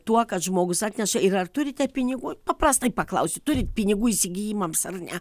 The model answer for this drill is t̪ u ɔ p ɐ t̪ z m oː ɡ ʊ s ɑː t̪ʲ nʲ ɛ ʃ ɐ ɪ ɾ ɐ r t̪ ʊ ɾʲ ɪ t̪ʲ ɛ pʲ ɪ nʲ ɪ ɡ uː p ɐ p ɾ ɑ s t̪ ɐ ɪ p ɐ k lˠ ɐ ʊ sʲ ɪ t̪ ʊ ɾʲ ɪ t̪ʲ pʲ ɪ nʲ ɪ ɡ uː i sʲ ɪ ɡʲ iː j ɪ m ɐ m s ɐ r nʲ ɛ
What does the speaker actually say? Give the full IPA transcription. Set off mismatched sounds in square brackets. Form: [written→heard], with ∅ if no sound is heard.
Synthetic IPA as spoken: t̪ u ɔ [p→k] ɐ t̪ [z→ʒ] m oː ɡ ʊ s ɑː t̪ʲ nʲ ɛ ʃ ɐ ɪ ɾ ɐ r t̪ ʊ ɾʲ ɪ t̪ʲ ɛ pʲ ɪ nʲ ɪ ɡ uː p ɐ p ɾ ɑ s t̪ ɐ ɪ p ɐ k lˠ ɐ ʊ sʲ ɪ t̪ ʊ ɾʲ ɪ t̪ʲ pʲ ɪ nʲ ɪ ɡ uː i sʲ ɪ ɡʲ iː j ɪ m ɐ m s ɐ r nʲ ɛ